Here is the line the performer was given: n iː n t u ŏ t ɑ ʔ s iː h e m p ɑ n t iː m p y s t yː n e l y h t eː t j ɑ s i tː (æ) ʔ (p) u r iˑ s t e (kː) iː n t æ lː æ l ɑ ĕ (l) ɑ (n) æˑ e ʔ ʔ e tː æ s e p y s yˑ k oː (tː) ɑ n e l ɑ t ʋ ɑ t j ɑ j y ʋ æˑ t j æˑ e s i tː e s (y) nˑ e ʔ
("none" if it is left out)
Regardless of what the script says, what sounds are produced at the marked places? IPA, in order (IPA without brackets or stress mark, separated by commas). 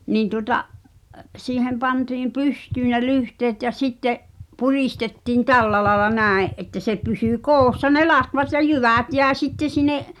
e, p, tː, l, n, sː, i